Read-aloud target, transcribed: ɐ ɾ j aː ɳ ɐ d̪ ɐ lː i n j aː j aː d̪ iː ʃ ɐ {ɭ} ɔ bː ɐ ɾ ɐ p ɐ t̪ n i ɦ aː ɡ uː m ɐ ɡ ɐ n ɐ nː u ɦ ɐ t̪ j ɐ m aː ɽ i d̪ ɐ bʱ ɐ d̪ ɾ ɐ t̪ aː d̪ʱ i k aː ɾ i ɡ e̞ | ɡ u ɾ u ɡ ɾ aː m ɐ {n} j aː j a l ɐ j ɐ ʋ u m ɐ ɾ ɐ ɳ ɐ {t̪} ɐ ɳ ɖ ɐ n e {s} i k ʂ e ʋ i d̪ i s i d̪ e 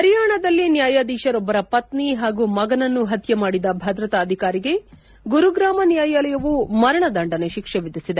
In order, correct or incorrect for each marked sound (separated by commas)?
incorrect, correct, incorrect, incorrect